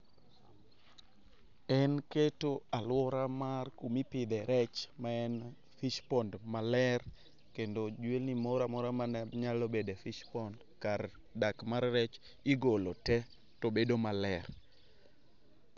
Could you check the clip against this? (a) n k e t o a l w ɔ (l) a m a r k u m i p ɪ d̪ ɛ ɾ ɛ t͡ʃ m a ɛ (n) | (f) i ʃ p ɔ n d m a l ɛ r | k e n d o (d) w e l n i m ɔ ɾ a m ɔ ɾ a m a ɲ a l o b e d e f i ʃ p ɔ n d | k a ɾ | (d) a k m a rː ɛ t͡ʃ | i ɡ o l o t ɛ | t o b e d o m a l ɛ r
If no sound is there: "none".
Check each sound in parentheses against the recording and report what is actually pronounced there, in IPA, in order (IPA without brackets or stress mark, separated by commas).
ɛ, ɾ, n, f, d͡ʒ, d